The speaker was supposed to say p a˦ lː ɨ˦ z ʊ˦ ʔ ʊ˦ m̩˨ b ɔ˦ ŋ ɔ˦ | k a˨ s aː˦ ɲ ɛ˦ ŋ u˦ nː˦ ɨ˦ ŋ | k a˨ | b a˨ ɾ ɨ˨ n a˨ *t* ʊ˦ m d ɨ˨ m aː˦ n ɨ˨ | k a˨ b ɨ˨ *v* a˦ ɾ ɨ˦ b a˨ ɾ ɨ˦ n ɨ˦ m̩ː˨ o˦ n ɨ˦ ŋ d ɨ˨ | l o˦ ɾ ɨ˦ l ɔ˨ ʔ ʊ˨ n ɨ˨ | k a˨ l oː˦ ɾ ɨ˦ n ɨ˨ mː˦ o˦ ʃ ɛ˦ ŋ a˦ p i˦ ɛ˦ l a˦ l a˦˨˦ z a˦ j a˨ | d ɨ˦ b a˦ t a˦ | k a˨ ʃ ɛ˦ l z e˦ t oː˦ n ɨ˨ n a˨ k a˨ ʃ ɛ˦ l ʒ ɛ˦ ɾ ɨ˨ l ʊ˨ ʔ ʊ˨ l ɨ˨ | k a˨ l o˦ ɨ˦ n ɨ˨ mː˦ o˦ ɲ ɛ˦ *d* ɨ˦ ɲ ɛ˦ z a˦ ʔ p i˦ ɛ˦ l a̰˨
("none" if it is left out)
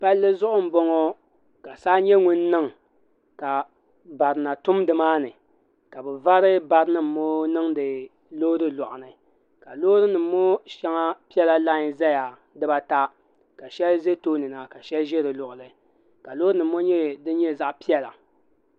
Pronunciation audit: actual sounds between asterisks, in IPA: t, v, d

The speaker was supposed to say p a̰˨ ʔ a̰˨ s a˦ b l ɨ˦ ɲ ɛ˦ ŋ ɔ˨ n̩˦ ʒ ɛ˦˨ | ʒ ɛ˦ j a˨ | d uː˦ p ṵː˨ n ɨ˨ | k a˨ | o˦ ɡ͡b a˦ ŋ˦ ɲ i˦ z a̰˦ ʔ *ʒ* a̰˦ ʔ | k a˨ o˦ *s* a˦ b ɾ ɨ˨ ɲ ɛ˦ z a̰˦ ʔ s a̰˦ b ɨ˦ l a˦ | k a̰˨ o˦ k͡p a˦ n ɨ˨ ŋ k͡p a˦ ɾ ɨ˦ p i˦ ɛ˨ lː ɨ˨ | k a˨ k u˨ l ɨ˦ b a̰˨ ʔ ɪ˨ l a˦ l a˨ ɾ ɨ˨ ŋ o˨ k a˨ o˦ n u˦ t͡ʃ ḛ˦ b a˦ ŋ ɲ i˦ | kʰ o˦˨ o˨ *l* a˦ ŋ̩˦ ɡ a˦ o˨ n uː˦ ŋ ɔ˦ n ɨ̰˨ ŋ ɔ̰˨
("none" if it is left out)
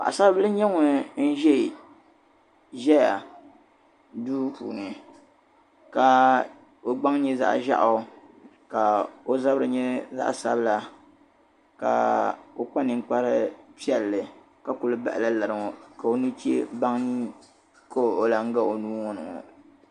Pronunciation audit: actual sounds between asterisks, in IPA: ʒ, z, l

